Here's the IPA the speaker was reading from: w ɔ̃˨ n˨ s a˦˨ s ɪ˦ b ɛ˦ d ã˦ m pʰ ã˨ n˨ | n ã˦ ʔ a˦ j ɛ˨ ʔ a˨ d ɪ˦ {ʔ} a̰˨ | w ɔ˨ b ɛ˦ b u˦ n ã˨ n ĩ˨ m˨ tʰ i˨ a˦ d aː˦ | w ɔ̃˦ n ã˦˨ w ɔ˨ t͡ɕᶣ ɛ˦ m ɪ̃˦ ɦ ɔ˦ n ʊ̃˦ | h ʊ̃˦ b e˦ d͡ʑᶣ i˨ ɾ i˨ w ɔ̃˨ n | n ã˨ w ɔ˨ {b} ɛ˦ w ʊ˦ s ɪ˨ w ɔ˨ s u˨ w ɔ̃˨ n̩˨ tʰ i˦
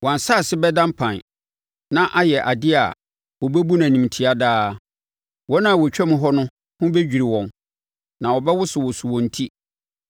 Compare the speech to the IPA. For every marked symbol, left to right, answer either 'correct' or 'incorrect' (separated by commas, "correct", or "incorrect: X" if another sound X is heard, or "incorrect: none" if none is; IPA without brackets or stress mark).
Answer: incorrect: none, correct